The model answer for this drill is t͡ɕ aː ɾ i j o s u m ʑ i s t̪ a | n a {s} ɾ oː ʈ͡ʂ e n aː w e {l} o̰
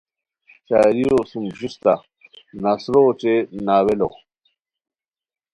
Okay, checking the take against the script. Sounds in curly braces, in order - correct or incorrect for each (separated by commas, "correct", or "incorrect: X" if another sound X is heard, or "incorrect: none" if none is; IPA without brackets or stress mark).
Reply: correct, correct